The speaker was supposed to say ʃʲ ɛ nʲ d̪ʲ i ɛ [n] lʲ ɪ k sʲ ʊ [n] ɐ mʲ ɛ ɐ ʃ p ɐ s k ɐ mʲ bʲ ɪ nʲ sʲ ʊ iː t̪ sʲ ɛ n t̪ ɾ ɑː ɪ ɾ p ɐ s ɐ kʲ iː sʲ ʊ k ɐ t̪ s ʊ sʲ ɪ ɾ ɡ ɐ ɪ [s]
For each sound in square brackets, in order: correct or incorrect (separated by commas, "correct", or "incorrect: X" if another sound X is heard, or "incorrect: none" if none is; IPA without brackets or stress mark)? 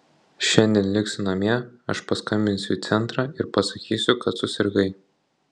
correct, correct, incorrect: none